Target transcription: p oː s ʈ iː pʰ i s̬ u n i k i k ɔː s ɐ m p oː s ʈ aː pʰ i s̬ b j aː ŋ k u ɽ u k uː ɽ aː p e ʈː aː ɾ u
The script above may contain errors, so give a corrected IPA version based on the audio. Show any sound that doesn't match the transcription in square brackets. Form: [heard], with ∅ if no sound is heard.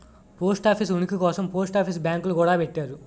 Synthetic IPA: p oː s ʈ [aː] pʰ i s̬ u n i k i k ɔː s ɐ m p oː s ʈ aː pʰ i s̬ b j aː ŋ k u [l] u k uː ɽ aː p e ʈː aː ɾ u